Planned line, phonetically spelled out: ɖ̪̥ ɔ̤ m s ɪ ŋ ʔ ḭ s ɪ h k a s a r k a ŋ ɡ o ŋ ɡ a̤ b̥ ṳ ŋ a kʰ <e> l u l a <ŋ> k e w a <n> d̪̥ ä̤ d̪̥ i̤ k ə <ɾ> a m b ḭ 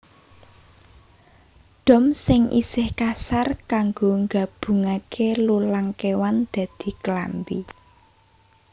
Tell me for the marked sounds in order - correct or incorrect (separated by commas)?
correct, correct, correct, incorrect